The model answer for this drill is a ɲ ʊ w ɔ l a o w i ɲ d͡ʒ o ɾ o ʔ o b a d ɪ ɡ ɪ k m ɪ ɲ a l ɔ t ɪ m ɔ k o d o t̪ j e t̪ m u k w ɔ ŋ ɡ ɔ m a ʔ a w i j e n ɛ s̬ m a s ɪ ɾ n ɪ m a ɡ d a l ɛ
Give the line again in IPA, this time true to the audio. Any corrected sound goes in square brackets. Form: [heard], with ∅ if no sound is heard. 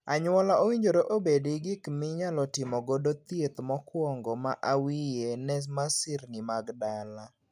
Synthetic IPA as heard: a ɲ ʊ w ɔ l a o w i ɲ d͡ʒ o ɾ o ʔ o b [e] d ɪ ɡ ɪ k m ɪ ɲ a l ɔ t ɪ m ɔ [ɡ] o d o t̪ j e t̪ m [ɔ] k w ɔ ŋ ɡ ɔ m a ʔ a w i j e n ɛ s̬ m a s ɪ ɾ n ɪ m a ɡ d a l [a]

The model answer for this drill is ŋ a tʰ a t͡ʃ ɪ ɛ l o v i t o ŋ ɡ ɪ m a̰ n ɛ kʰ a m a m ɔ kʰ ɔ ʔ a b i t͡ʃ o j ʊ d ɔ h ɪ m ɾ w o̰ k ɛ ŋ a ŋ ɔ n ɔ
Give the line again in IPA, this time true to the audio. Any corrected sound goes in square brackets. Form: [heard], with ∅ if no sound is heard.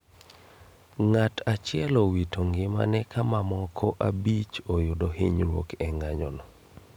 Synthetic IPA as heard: ŋ a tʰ a t͡ʃ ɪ ɛ l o [w] i t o ŋ ɡ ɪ m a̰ n ɛ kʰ a m a m ɔ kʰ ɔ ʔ a b i t͡ʃ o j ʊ d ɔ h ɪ [ɲ] ɾ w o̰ k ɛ ŋ a [ɲ] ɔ n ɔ

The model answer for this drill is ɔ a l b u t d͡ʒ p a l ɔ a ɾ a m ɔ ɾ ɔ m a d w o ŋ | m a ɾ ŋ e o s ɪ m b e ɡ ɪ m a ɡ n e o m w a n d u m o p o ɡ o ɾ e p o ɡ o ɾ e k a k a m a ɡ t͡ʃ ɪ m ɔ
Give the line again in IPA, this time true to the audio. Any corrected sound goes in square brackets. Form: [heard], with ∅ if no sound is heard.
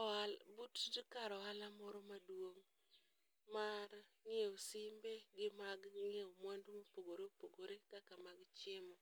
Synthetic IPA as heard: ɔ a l b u t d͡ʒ [k] a [ɾ] ɔ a [l] a m ɔ ɾ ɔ m a d w o ŋ | m a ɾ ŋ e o s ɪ m b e ɡ ɪ m a ɡ [ŋ] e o m w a n d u m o p o ɡ o ɾ e p o ɡ o ɾ e k a k a m a ɡ t͡ʃ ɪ m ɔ

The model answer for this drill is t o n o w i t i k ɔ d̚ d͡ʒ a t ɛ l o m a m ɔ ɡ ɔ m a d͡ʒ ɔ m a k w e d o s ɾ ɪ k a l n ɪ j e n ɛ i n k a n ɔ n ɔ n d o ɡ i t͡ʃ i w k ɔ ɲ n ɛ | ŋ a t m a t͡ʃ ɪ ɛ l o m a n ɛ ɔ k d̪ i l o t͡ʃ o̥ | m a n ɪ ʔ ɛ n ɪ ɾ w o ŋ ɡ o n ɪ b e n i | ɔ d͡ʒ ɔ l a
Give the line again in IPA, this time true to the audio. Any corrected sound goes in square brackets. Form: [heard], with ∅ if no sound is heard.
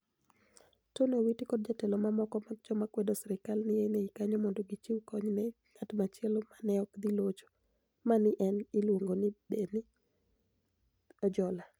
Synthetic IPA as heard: t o n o w i t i k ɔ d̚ d͡ʒ a t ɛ l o m a m ɔ [k] ɔ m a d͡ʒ ɔ m a k w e d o s ɾ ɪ k a l n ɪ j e n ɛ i [∅] k a [ɲ] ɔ [m] ɔ n d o ɡ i t͡ʃ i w k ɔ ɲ n ɛ | ŋ a t m a t͡ʃ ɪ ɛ l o m a n ɛ ɔ k d̪ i l o t͡ʃ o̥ | m a n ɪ ʔ ɛ n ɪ [l] w o ŋ ɡ o n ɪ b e n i | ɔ d͡ʒ ɔ l a

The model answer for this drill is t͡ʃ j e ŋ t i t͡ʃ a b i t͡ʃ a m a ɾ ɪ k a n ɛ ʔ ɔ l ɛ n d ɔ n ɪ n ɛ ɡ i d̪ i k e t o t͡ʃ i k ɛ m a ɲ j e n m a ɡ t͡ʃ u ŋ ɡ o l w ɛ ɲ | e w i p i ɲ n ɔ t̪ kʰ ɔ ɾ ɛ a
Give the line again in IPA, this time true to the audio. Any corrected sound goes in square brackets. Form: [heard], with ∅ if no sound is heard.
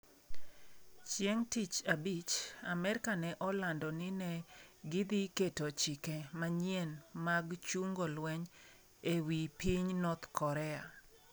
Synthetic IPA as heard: t͡ʃ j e ŋ t i t͡ʃ a b i t͡ʃ a m [ɛ] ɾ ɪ k a n ɛ ʔ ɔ l [a] n d ɔ n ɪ n ɛ ɡ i d̪ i k e t o t͡ʃ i k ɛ m a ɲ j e n m a ɡ t͡ʃ u ŋ ɡ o l w ɛ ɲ | e w i p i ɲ n ɔ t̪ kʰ ɔ ɾ ɛ a

